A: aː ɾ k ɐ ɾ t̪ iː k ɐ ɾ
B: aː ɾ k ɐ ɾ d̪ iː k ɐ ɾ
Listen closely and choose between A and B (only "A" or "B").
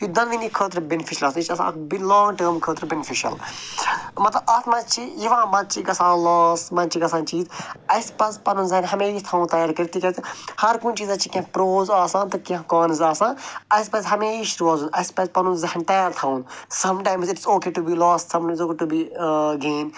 A